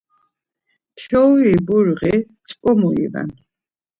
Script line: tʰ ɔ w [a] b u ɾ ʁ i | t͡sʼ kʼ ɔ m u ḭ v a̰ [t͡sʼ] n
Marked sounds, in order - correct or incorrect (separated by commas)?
incorrect, incorrect